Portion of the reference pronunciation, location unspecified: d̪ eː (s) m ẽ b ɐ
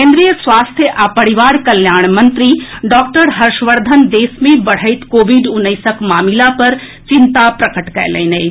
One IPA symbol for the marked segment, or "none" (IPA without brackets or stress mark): s